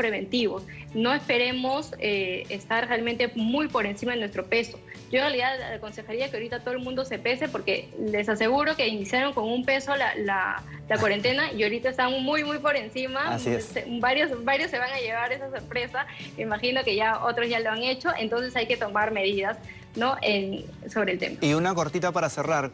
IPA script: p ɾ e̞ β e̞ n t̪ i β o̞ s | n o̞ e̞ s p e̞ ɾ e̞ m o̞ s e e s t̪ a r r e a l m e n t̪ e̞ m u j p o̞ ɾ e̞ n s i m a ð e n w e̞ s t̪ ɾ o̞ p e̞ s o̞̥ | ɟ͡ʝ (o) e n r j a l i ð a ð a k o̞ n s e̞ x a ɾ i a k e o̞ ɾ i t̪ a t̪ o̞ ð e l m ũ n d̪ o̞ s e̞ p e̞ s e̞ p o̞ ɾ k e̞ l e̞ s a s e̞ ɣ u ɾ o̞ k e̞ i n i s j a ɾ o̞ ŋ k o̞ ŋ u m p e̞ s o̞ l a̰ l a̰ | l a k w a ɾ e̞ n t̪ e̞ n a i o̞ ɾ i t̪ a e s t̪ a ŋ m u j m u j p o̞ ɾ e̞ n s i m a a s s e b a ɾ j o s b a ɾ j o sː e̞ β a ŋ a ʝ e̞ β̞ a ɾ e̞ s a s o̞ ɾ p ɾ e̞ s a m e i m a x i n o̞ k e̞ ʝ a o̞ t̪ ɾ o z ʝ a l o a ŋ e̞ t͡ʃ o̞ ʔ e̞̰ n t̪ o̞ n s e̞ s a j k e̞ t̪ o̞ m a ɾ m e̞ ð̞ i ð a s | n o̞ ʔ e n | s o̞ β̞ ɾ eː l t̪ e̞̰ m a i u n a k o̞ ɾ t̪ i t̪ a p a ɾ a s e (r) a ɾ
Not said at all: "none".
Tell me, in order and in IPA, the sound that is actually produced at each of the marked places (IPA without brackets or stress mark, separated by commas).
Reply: o, r